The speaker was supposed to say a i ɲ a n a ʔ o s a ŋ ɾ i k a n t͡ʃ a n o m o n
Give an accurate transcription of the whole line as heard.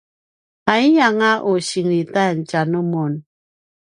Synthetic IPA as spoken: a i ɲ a ŋ a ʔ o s i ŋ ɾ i t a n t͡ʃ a n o m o n

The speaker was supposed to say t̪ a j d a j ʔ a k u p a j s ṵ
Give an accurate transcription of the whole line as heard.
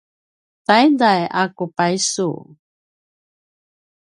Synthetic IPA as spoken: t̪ a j d a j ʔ a k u p a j s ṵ

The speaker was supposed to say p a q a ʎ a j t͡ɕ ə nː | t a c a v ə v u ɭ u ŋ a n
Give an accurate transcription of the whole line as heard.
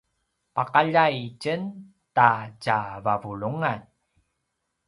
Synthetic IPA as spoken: p a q a ʎ a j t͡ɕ ə n | t a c a v a v u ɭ u ŋ a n

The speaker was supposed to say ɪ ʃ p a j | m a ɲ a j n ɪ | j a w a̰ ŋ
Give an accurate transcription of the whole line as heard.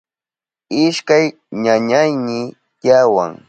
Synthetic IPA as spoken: ɪ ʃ k a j | ɲ a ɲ a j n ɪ | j a w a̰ ŋ

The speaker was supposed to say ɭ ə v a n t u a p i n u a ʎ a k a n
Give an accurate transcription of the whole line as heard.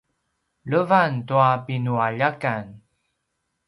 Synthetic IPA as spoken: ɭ ə v a n t u a p i n u a ʎ a k a n

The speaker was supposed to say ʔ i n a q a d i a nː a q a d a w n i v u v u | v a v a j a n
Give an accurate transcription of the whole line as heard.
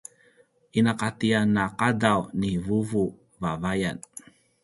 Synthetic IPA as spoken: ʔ i n a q a t i a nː a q a d a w n i v u v u | v a v a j a n

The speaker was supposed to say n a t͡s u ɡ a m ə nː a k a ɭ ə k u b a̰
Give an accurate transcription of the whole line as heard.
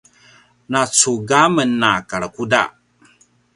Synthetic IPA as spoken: n a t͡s u ɡ a m ə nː a k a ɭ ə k u d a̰

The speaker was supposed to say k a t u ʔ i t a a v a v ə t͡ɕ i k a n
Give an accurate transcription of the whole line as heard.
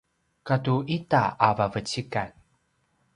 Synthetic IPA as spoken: k a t u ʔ i t a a v a v ə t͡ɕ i k a n

